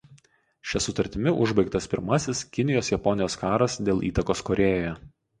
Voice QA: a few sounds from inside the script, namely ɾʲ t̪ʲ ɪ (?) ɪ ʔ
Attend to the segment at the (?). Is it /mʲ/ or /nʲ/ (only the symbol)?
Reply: mʲ